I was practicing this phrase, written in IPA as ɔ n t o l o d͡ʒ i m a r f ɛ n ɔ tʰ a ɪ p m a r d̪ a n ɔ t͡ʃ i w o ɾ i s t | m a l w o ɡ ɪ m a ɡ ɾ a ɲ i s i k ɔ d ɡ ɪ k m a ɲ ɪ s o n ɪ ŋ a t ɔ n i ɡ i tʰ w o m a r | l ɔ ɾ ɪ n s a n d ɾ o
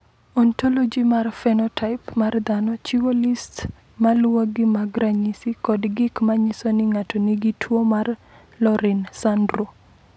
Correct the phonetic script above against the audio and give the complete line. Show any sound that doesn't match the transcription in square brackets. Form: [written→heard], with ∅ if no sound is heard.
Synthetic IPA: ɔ n t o l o d͡ʒ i m a r f ɛ n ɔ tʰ a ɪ p m a r d̪ a n ɔ t͡ʃ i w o [ɾ→l] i s t | m a l w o ɡ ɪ m a ɡ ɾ a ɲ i s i k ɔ d ɡ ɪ k m a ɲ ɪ s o n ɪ ŋ a t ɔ n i ɡ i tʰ w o m a r | l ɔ ɾ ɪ n s a n d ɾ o